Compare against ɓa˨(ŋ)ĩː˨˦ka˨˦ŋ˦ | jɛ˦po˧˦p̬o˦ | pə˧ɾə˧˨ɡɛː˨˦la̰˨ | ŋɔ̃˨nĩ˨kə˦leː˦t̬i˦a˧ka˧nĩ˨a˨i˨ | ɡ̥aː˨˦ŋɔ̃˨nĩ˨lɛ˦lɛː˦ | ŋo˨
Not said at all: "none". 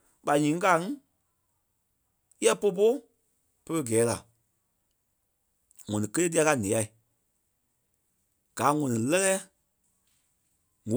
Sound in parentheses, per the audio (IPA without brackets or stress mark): ɲ